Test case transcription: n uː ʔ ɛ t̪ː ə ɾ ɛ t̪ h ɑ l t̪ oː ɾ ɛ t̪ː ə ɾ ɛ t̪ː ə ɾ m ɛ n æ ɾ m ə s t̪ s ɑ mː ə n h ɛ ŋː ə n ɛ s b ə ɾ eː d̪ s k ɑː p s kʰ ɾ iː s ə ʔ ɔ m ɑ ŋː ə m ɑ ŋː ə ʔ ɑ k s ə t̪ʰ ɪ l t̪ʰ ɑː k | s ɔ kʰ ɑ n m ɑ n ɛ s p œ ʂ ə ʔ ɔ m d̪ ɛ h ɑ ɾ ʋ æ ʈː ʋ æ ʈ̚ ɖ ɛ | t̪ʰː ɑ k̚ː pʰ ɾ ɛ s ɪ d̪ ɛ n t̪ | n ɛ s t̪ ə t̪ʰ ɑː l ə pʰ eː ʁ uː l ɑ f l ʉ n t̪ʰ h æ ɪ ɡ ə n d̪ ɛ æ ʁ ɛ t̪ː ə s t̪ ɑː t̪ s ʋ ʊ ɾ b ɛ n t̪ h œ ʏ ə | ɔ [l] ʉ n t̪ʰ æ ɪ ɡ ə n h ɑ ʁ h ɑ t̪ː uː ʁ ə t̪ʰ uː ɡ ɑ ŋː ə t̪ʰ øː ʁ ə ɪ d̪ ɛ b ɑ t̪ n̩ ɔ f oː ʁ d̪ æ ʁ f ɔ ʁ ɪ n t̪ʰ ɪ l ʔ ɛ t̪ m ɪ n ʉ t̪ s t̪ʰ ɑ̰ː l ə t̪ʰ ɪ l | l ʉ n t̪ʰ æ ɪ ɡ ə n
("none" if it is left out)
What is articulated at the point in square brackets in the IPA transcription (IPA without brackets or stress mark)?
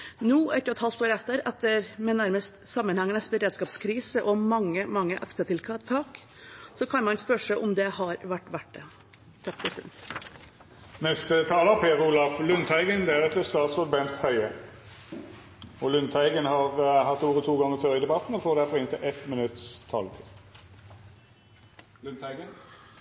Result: l